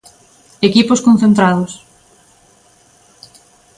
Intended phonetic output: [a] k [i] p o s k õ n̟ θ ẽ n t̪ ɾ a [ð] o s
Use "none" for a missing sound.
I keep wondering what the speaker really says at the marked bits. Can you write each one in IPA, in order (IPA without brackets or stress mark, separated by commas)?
e, i, ð